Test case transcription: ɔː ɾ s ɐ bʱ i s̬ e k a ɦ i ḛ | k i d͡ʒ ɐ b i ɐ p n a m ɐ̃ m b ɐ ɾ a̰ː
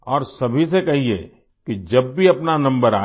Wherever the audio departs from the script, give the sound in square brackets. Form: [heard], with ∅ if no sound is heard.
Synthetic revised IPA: ɔː ɾ s ɐ bʱ i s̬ e k [ɐ] ɦ i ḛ | k i d͡ʒ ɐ [bː] i ɐ p n a [n] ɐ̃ m b [ə] ɾ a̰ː